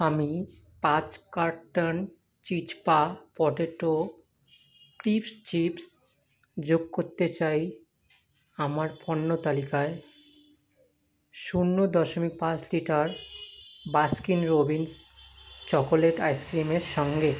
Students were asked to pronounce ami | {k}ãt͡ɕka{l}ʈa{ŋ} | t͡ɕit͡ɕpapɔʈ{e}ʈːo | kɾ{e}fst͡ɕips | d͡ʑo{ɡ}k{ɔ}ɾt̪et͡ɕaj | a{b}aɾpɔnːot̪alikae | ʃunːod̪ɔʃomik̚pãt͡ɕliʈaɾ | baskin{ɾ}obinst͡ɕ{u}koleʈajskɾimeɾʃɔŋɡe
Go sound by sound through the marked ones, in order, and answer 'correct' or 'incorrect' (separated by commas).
incorrect, incorrect, incorrect, correct, incorrect, correct, incorrect, incorrect, correct, incorrect